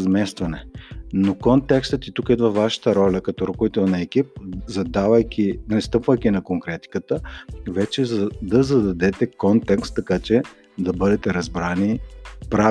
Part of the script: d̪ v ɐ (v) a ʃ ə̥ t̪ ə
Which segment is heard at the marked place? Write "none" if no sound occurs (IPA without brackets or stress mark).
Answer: v